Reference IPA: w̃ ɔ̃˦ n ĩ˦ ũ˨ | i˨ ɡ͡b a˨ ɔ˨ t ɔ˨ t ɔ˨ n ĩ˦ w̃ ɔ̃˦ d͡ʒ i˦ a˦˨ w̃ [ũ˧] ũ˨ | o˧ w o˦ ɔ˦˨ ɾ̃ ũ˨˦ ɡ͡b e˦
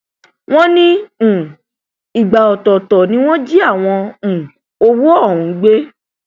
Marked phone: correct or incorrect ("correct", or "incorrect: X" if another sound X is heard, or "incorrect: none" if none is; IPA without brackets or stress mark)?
incorrect: ɔ̃˧